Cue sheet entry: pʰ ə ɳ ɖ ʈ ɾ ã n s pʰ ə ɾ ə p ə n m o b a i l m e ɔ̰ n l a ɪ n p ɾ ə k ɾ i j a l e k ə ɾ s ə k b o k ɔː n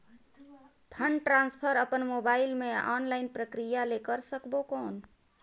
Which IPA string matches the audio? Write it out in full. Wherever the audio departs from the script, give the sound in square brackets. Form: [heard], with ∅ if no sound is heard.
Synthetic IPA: pʰ ə ɳ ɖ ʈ ɾ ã n s pʰ ə ɾ ə p ə n m o b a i l m e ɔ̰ n l a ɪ n p ɾ ə k ɾ i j a l e k ə ɾ s ə k b o k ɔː n